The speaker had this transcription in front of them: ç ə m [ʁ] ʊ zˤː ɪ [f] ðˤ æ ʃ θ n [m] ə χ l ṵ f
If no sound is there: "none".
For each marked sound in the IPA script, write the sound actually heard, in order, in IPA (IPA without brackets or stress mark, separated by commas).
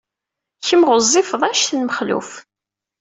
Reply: ʁ, f, m